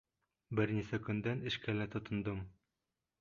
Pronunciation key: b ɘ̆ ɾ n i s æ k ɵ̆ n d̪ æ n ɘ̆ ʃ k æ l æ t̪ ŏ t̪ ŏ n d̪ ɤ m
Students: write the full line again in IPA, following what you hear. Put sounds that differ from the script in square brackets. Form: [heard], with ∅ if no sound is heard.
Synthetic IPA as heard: b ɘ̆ ɾ n i s æ k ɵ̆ n d̪ æ n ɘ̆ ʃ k æ l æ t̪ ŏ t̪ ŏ n d̪ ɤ m